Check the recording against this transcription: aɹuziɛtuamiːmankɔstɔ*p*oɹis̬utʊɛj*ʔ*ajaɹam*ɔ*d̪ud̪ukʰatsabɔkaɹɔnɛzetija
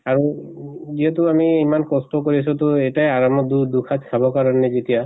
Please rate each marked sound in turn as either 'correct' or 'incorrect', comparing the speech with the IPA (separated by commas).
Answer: incorrect, incorrect, correct